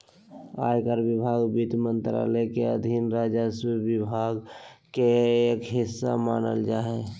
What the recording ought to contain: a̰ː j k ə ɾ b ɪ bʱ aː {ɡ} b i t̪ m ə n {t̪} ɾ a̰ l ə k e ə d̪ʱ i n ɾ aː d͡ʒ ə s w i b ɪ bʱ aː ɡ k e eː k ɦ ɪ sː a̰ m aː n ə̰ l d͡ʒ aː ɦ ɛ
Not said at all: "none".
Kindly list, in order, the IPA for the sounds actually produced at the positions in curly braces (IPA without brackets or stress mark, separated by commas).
ɡ, t̪